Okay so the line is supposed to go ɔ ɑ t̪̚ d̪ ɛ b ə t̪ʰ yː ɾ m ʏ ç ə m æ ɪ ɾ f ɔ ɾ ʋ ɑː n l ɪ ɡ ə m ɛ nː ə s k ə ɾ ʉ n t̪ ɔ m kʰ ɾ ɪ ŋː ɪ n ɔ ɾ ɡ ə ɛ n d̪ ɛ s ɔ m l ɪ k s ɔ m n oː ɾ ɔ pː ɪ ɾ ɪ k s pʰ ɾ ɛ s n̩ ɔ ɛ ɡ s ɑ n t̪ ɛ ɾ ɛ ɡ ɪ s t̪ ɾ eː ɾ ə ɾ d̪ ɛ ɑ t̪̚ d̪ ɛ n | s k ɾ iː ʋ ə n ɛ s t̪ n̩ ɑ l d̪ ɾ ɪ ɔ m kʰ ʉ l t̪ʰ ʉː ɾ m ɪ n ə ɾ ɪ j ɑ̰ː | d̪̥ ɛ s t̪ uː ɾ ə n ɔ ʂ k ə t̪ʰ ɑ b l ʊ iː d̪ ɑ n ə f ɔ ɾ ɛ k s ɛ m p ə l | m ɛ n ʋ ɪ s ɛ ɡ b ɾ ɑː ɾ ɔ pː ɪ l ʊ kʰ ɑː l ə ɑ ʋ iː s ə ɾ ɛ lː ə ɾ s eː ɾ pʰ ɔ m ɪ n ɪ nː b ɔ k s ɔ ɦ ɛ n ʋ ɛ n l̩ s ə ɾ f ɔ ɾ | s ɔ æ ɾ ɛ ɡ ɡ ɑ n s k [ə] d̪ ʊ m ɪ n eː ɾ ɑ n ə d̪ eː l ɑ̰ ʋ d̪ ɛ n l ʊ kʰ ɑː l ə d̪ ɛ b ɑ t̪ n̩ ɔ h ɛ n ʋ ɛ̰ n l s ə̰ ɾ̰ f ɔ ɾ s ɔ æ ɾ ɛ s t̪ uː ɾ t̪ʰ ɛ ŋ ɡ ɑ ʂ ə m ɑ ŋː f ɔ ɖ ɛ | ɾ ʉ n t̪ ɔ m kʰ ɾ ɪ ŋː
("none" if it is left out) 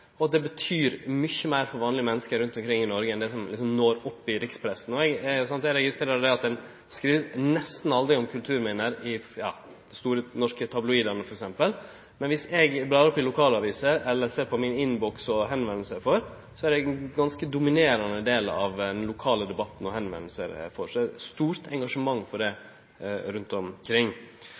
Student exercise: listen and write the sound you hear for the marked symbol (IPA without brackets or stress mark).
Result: ə